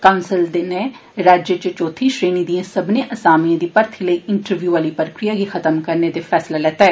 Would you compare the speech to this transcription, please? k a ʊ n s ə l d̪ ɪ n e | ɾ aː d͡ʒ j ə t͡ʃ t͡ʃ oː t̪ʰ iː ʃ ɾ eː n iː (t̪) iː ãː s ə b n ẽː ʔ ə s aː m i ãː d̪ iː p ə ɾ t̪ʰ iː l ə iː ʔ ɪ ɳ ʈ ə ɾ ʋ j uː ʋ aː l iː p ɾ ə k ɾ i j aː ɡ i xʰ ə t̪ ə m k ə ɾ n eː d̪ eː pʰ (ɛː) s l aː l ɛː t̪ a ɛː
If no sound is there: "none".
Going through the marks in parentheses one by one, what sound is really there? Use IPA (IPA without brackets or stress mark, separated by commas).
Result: d̪, ɛː